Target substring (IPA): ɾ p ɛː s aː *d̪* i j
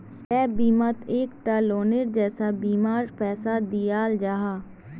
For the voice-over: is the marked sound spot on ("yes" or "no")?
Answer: yes